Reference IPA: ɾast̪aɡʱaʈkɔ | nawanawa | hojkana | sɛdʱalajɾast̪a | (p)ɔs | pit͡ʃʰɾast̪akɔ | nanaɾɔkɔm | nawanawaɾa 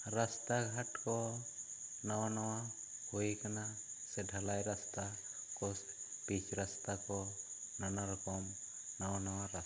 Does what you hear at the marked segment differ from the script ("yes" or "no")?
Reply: yes